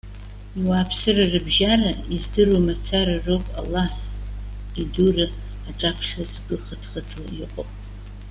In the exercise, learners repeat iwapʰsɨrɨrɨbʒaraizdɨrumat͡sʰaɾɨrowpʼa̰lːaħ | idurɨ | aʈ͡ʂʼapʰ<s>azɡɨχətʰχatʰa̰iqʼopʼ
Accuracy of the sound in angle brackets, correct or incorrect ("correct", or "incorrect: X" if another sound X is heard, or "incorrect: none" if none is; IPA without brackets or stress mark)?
incorrect: ʂ